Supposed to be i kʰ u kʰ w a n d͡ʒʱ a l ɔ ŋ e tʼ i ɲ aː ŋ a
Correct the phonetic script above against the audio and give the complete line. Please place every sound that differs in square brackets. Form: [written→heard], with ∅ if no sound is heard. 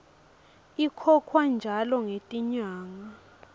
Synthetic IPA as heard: i kʰ [u→ɔ] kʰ w a n d͡ʒʱ a l ɔ ŋ e tʼ i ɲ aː ŋ a